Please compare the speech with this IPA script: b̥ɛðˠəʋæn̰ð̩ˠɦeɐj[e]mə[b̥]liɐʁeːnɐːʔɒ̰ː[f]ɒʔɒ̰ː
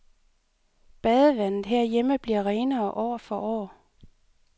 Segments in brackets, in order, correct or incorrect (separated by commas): correct, correct, correct